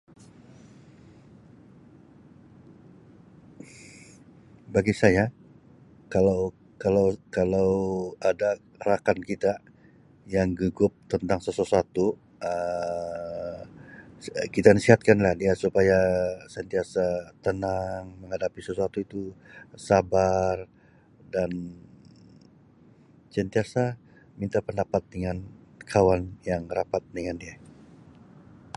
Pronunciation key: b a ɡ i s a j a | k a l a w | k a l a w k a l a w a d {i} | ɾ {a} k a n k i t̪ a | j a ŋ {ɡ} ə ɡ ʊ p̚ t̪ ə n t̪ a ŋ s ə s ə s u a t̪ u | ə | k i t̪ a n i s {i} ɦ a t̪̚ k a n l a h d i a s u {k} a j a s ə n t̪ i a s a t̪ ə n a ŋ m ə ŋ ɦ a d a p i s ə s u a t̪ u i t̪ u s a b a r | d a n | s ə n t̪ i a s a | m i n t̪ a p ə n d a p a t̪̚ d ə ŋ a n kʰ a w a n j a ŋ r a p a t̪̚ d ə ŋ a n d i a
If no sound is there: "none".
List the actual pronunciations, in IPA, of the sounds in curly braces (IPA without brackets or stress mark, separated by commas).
a, a, ɡ, i, p